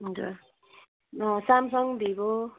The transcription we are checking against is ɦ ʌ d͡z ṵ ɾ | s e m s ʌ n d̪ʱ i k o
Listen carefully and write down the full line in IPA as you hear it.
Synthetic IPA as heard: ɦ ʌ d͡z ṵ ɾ | s a m s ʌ ŋ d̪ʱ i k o